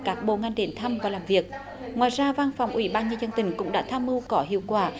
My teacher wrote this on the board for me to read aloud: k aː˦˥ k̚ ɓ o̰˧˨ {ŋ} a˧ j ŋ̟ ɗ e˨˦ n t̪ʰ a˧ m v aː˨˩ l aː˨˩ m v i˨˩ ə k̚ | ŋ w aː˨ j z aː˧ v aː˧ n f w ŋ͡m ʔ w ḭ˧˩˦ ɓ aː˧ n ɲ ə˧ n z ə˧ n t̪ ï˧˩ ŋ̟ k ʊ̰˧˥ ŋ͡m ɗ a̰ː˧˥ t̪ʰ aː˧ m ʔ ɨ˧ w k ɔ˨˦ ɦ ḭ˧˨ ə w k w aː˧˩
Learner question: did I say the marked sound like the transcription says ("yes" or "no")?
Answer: yes